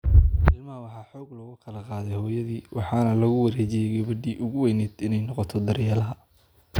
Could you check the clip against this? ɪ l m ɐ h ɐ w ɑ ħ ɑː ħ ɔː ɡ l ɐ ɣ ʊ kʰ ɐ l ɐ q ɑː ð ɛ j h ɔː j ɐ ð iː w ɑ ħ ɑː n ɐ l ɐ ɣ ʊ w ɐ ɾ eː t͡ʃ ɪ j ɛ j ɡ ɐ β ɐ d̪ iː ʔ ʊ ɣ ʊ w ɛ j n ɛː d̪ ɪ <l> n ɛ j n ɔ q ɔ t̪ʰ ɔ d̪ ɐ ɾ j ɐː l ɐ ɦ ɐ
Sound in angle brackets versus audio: incorrect: none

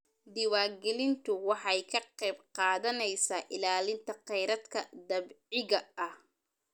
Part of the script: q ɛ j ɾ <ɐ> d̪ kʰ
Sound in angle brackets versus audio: correct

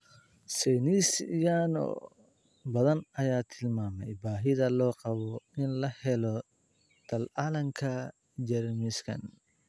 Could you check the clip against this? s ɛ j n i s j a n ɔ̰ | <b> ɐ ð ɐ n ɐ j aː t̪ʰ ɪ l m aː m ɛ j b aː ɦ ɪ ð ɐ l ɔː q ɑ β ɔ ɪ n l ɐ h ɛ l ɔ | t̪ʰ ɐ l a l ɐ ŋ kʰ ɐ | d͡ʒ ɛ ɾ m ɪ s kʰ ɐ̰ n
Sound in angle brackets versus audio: correct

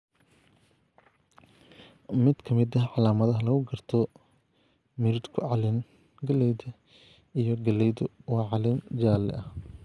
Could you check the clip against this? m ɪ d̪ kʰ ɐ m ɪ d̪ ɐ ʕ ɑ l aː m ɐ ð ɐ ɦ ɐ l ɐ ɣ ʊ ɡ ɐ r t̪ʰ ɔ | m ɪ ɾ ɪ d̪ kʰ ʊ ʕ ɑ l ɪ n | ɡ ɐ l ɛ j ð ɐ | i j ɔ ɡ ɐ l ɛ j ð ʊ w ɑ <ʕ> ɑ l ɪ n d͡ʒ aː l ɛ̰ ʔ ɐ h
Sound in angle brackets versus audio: correct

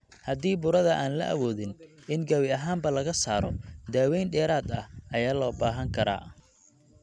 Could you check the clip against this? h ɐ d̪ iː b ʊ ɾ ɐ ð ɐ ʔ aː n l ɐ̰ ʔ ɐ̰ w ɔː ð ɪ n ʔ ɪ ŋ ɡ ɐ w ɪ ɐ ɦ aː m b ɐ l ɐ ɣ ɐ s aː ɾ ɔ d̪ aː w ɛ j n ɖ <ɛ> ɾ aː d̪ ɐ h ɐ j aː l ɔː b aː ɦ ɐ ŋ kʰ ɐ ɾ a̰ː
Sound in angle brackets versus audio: incorrect: ɛː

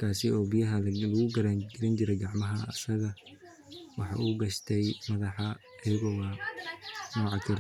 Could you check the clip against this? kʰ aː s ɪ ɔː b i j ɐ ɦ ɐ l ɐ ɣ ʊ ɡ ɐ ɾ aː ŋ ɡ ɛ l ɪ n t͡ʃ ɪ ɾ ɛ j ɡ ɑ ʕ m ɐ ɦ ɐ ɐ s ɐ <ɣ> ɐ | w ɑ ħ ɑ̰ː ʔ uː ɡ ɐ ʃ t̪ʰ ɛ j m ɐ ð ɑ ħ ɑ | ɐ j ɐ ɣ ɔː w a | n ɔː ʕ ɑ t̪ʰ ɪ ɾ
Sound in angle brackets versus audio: correct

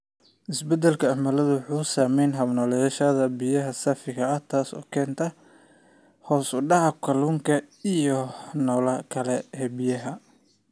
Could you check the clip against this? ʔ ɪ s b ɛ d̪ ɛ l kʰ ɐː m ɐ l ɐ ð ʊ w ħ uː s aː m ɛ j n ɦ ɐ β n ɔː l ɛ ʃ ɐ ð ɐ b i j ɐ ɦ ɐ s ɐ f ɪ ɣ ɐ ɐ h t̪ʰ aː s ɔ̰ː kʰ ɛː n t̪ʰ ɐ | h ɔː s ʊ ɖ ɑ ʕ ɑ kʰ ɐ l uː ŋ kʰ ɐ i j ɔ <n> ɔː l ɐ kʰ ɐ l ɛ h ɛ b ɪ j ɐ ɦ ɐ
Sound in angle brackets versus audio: correct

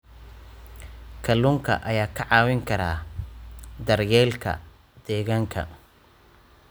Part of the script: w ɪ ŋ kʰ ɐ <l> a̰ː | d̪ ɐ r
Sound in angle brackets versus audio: incorrect: ɾ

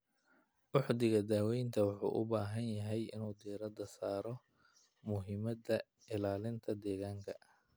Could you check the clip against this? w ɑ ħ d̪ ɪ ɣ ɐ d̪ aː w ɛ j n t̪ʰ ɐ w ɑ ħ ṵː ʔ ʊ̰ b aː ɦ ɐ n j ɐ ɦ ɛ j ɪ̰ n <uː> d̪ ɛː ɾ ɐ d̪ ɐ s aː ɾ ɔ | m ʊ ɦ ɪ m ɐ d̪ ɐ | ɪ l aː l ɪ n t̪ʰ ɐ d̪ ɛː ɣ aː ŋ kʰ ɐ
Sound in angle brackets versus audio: correct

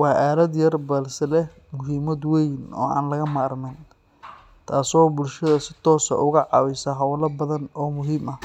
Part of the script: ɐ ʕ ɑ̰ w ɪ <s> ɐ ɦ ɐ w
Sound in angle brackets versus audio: correct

